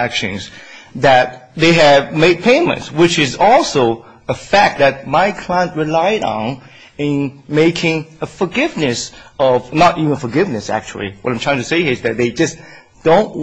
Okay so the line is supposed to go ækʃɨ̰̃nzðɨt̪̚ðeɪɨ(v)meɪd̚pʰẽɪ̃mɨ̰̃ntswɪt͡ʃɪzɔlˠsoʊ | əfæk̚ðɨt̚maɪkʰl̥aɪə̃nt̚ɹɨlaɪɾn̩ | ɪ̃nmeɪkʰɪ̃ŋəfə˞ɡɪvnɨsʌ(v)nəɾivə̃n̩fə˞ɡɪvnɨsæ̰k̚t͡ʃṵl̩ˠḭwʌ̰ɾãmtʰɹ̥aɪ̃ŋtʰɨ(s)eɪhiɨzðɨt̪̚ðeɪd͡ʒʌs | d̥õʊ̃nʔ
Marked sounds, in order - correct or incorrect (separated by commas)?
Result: correct, correct, correct